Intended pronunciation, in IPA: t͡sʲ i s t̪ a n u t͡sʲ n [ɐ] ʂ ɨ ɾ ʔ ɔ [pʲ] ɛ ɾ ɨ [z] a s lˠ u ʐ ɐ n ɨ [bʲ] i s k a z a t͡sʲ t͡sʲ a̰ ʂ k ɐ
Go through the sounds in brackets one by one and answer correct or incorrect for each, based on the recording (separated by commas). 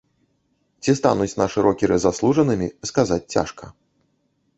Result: incorrect, incorrect, correct, incorrect